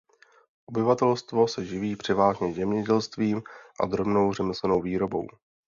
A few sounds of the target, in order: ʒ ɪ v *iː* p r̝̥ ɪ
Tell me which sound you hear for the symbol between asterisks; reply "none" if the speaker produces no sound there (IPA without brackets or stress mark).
iː